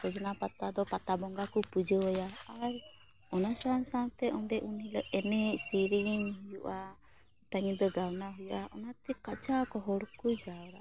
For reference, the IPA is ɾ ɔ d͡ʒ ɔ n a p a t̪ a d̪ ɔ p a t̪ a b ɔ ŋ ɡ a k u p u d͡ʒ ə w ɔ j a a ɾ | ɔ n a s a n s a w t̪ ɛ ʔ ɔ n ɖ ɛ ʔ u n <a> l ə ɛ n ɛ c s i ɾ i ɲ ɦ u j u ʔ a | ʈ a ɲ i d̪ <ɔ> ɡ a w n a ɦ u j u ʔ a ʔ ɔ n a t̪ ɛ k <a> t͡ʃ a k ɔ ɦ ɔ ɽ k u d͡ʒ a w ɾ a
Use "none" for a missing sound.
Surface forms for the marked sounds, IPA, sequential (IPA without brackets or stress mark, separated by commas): i, ɔ, a